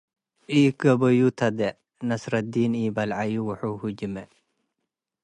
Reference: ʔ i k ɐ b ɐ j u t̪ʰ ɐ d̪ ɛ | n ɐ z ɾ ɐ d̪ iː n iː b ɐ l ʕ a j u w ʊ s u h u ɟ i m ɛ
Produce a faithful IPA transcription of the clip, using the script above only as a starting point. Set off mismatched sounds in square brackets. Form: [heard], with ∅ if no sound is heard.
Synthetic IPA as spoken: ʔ i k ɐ b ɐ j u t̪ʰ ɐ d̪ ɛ | n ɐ [s] ɾ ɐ d̪ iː n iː b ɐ l ʕ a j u w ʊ [ħ] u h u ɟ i m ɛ